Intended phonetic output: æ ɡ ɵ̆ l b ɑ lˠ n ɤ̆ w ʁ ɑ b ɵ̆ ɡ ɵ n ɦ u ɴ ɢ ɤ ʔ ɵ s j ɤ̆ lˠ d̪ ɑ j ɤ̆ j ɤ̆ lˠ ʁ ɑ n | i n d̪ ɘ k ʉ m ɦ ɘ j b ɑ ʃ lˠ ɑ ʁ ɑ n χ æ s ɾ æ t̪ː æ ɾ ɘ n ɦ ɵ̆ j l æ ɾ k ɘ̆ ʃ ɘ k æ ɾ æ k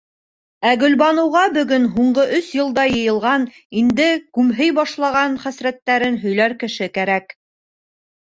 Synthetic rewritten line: æ ɡ ɵ̆ l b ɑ n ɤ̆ w ʁ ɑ b ɵ̆ ɡ ɵ n ɦ u ɴ ɢ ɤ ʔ ɵ s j ɤ̆ lˠ d̪ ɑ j ɤ̆ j ɤ̆ lˠ ʁ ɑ n | i n d̪ ɘ k ʉ m ɦ ɘ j b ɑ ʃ lˠ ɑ ʁ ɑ n χ æ s ɾ æ t̪ː æ ɾ ɘ n ɦ ɵ̆ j l æ ɾ k ɘ̆ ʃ ɘ k æ ɾ æ k